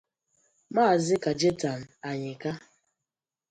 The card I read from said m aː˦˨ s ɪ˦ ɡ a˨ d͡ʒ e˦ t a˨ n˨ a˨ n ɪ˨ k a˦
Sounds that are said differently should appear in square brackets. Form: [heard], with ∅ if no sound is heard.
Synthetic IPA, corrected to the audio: m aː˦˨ [z] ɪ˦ [k] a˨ d͡ʒ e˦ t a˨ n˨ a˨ [ɲ] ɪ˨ k a˦